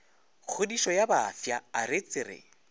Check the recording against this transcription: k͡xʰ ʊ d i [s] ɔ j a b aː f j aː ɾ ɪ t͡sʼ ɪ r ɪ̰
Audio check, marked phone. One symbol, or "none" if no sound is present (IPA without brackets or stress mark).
ʃ